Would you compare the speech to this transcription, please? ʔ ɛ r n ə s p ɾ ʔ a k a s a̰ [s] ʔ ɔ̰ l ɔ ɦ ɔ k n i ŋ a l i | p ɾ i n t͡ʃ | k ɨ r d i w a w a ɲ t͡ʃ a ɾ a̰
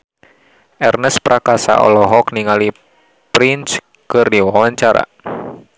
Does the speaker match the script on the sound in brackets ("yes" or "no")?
no